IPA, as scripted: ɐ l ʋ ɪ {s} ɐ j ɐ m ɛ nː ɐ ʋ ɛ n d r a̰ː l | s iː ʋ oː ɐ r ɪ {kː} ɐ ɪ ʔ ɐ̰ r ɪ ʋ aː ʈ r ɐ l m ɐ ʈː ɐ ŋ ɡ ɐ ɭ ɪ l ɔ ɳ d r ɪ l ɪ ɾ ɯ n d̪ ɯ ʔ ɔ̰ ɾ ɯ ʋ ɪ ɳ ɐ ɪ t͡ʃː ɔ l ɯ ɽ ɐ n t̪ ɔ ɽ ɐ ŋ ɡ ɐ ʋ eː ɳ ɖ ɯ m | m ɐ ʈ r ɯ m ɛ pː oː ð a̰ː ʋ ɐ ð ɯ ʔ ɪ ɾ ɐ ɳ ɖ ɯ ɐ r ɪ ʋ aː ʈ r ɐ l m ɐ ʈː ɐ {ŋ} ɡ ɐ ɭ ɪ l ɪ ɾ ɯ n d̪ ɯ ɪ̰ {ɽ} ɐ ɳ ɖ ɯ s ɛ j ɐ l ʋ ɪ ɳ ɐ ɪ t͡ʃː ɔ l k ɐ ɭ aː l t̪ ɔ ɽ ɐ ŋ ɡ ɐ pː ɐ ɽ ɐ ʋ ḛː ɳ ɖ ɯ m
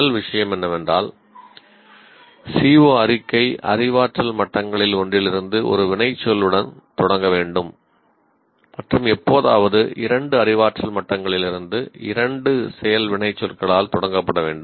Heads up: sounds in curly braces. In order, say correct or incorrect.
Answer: incorrect, correct, correct, incorrect

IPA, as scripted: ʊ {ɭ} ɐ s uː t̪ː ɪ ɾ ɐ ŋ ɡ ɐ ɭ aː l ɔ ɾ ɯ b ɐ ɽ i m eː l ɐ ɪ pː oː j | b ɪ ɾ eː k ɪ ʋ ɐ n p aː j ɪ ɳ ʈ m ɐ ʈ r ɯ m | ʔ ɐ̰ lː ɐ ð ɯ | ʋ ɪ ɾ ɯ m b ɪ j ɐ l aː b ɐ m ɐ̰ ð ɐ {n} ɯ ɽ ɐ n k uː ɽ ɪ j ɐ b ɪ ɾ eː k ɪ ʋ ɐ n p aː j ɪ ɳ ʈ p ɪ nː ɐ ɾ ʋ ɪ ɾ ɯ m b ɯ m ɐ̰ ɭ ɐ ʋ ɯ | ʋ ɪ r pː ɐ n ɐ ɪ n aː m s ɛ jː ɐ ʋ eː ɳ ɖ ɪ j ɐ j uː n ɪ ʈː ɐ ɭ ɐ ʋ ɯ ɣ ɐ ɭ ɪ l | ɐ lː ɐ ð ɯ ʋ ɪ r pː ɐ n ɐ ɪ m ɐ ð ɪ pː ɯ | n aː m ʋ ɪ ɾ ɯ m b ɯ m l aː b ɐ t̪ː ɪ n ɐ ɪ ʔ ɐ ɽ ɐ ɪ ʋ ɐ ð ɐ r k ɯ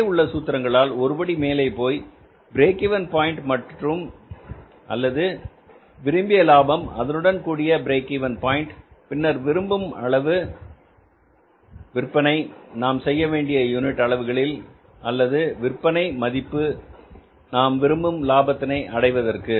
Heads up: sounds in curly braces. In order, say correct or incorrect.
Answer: incorrect, correct

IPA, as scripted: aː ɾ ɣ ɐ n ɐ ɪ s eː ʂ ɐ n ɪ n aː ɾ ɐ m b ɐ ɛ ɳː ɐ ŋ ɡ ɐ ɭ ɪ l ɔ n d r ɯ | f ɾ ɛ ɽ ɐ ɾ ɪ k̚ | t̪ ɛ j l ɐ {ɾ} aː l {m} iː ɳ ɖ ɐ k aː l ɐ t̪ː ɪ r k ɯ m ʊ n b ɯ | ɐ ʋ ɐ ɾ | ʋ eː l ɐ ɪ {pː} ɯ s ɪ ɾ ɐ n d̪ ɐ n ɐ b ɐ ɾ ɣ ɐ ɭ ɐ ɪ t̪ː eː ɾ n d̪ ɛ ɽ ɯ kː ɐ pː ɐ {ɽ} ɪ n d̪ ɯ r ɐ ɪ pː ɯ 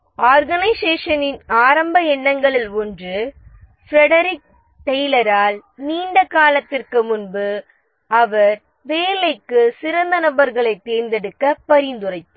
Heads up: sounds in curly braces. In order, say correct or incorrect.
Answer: correct, incorrect, incorrect, incorrect

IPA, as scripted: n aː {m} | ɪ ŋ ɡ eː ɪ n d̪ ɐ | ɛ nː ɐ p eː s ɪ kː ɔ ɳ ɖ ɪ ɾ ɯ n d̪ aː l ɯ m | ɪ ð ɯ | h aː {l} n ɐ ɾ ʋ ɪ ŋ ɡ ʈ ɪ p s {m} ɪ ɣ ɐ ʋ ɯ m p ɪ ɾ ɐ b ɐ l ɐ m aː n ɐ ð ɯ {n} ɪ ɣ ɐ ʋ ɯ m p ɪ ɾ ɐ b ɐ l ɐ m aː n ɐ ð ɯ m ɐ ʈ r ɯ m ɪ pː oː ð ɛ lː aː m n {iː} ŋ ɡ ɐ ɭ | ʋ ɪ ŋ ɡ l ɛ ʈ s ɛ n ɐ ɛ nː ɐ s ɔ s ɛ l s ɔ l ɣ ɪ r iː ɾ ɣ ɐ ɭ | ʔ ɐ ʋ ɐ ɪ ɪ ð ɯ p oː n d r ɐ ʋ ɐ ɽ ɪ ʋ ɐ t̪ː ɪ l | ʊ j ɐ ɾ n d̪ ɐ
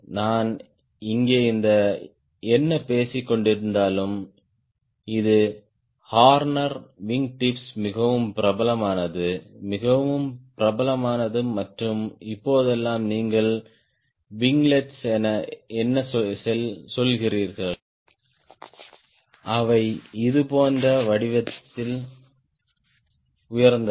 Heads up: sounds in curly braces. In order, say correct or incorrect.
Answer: incorrect, incorrect, correct, incorrect, correct

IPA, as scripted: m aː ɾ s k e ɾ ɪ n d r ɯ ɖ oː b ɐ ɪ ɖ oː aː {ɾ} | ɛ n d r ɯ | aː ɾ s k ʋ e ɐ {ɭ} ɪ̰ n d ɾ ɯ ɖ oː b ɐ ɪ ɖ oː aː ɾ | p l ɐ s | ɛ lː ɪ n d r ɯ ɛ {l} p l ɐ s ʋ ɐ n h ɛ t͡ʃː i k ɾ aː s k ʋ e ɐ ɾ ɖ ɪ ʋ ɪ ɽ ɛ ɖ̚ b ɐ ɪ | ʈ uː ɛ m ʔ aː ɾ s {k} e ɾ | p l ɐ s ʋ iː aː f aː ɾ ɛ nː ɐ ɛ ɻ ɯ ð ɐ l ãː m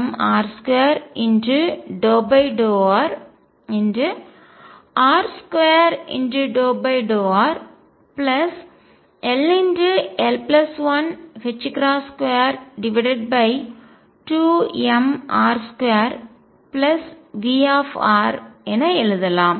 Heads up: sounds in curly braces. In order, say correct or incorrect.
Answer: correct, incorrect, correct, correct

